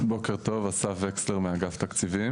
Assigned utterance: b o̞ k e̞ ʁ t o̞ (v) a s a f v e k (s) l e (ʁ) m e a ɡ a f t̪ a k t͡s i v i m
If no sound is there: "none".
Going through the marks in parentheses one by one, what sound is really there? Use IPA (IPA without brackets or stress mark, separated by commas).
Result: v, s, ʁ